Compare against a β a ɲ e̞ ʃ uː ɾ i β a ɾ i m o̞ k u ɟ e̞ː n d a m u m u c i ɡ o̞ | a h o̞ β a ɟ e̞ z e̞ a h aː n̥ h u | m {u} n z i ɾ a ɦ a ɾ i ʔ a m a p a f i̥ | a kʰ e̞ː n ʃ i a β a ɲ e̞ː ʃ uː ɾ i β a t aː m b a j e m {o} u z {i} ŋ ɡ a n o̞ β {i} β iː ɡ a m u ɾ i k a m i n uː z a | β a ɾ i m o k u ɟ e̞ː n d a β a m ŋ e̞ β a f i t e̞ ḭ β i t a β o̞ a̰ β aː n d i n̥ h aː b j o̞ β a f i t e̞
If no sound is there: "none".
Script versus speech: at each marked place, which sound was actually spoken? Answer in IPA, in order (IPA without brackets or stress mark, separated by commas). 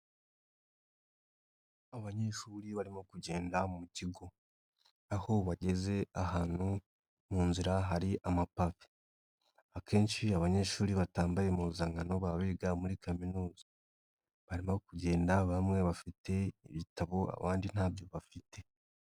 uː, u, a, a